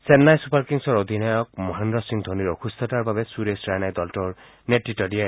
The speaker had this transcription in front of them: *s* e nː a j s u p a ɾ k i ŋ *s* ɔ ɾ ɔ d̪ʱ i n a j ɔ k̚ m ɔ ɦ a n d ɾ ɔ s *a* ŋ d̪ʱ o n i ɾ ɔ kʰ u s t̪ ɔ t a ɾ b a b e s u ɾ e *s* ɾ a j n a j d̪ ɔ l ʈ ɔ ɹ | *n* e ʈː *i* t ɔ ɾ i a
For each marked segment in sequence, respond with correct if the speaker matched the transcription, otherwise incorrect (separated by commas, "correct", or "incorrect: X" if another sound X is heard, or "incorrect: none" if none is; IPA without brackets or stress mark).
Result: correct, correct, incorrect: i, correct, correct, correct